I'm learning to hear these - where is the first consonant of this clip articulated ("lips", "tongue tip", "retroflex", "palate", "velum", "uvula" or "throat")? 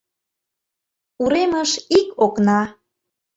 tongue tip